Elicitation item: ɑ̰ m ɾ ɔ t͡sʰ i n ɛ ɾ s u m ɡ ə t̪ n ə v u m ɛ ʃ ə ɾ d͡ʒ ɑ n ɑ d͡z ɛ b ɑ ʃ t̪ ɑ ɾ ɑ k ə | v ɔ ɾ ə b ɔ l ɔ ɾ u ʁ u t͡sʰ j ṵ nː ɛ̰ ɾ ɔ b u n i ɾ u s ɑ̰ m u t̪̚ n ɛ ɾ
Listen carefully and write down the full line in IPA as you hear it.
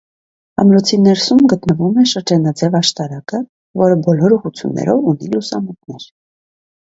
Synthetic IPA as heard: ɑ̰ m ɾ ɔ t͡sʰ i n ɛ ɾ s u m ɡ ə t̪ n ə v u m ɛ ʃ ə ɾ d͡ʒ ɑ n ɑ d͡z ɛ v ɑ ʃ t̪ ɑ ɾ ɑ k ə | v ɔ ɾ ə b ɔ l ɔ ɾ u ʁ u t͡sʰ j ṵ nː ɛ̰ ɾ ɔ v u n i l u s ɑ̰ m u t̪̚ n ɛ ɾ